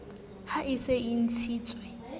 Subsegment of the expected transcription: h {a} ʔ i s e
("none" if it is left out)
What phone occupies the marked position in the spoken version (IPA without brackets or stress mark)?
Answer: a